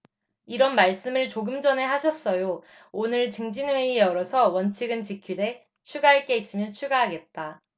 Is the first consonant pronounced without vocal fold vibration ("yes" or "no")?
no